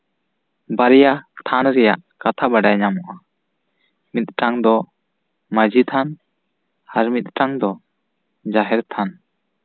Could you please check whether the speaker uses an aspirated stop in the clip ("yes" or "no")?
yes